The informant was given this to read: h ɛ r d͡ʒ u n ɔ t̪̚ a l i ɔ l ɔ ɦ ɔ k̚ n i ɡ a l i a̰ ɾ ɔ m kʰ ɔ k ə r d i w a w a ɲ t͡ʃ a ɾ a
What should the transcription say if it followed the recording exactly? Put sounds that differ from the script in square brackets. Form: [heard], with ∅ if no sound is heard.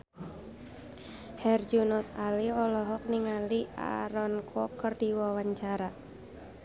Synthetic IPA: h ɛ r d͡ʒ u n ɔ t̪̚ a l i ɔ l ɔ ɦ ɔ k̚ n i [ŋ] a l i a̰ ɾ ɔ [n] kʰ ɔ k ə r d i w a w a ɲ t͡ʃ a ɾ a